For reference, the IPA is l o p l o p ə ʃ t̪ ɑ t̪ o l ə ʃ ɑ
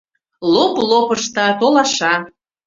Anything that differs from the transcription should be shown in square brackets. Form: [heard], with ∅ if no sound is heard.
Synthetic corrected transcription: l o p l o p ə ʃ t̪ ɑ t̪ o l [ɑ] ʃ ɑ